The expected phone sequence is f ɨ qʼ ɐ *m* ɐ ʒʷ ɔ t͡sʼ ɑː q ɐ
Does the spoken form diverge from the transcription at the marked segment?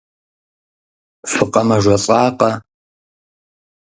no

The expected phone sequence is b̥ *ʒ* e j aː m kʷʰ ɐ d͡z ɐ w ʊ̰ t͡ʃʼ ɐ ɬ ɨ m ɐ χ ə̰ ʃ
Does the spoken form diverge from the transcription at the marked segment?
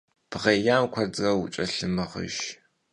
yes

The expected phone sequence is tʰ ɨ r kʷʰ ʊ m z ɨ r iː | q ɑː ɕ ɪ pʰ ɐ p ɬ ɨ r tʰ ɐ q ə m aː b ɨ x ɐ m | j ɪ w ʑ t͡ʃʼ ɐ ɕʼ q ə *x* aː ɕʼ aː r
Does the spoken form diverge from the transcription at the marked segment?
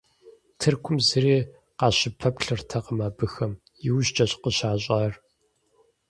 yes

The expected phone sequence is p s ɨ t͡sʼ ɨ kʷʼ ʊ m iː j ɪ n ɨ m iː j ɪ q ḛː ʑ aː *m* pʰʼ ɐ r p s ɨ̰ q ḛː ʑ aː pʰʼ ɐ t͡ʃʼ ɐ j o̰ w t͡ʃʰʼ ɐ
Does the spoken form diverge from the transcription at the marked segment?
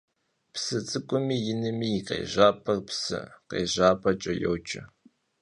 yes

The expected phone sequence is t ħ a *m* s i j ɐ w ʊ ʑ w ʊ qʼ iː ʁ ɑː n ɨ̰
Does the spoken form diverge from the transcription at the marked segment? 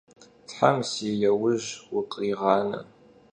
no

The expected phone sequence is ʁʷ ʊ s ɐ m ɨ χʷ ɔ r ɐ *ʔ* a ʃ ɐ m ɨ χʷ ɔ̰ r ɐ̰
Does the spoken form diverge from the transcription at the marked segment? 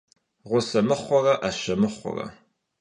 no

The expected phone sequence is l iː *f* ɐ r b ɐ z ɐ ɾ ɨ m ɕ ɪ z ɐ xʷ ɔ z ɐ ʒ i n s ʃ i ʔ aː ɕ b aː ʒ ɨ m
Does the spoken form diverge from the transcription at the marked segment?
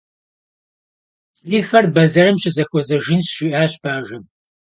no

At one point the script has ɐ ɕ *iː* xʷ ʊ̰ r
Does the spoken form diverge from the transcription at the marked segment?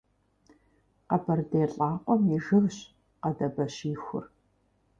no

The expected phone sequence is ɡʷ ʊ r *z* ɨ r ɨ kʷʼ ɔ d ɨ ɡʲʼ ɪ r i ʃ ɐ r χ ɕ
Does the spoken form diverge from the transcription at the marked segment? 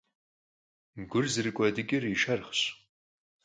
no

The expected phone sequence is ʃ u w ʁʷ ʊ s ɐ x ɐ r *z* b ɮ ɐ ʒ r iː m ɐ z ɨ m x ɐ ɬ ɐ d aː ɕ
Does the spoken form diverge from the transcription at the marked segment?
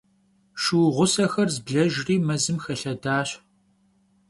no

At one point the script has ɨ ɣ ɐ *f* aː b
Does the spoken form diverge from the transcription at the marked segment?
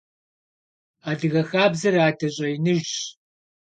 yes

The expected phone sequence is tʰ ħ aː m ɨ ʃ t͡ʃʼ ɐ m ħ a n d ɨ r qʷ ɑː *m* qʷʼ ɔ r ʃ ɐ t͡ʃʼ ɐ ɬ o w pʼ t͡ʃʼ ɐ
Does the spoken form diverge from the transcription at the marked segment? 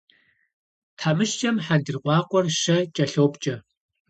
yes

